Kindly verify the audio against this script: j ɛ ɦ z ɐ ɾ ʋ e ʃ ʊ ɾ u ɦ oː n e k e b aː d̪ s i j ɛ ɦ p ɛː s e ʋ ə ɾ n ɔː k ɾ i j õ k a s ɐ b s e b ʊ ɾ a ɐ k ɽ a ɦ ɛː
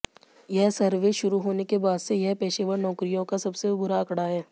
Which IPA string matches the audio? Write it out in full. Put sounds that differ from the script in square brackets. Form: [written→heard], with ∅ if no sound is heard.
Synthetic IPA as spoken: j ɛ ɦ [z→s] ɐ ɾ ʋ e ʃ ʊ ɾ u ɦ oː n e k e b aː d̪ s [i→e] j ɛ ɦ p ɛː [s→ʃ] e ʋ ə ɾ n ɔː k ɾ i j õ k a s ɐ b s e b ʊ ɾ a ɐ k ɽ a ɦ ɛː